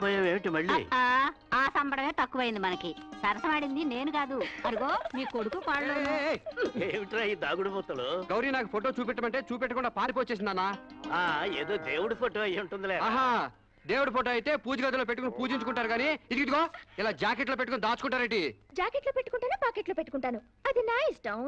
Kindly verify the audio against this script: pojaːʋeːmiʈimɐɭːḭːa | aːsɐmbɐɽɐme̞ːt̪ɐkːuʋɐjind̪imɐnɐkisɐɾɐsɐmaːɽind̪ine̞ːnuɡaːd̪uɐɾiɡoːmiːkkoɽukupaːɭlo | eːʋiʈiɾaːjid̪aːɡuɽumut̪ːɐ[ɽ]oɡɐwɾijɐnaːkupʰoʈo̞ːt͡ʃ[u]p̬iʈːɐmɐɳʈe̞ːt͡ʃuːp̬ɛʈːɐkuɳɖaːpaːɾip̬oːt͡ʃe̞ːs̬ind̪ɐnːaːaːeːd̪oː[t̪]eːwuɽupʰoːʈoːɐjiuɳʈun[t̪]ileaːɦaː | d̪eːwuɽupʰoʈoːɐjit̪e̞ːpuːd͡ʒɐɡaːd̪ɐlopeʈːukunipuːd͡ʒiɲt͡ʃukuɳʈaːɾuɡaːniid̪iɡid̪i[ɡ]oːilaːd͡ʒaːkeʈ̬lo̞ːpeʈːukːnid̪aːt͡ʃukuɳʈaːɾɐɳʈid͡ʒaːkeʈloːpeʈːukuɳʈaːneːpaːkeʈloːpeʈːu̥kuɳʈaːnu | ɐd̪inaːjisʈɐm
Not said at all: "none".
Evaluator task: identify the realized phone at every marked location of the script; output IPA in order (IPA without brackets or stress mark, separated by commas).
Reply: l, uː, d̪, d̪, ɡ